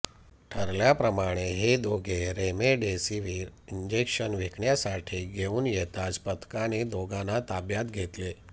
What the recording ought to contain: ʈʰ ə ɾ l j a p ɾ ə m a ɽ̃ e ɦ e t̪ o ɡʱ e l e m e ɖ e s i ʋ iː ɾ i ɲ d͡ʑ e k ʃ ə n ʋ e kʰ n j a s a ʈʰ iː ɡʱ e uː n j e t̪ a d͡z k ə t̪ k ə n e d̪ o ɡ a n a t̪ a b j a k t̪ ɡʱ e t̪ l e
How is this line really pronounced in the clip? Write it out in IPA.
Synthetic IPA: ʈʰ ə ɾ l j a p ɾ ə m a ɽ̃ e ɦ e d̪ o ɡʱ e ɾ e m e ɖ e s i ʋ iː ɾ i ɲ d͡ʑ e k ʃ ə n ʋ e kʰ ɳ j a s a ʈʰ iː ɡʱ e uː n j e t̪ a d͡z p ə t̪ k a n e d̪ o ɡ a n a t̪ a b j a t̪ ɡʱ e t̪ l e